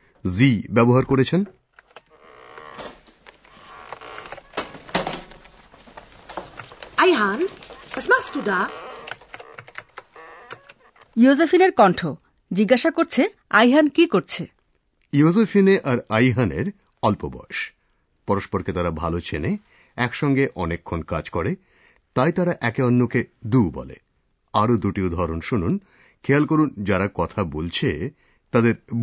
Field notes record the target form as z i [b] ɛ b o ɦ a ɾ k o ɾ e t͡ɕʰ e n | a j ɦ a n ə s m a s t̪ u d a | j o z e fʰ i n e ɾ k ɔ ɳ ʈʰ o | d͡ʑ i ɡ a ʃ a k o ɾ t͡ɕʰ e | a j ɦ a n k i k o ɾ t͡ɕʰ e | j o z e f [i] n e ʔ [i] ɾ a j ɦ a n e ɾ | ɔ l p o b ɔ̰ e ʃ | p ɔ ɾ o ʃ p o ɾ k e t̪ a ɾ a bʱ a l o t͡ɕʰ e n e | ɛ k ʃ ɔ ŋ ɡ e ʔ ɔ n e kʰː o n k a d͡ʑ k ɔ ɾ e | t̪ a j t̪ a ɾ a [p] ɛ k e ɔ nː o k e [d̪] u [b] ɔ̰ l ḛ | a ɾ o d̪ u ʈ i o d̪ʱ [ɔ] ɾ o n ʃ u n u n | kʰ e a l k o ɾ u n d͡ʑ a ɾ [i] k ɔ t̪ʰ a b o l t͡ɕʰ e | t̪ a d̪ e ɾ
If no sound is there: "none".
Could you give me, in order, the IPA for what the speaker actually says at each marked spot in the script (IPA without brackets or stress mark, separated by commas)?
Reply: b, i, a, ʔ, d̪, b, ɔ, a